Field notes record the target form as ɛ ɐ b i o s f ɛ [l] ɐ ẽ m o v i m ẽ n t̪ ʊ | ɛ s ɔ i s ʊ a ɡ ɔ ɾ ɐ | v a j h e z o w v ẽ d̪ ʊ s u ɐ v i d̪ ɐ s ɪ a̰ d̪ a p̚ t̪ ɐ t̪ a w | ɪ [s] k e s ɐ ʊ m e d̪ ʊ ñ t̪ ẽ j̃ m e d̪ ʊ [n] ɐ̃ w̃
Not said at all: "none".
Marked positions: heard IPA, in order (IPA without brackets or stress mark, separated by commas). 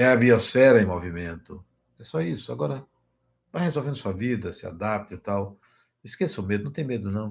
ɾ, s, n